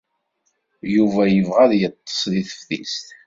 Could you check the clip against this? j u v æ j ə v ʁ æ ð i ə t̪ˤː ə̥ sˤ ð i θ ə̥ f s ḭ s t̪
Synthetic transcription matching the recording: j u v æ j ə v ʁ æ ð j ə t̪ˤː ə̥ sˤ ð i θ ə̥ f θ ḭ s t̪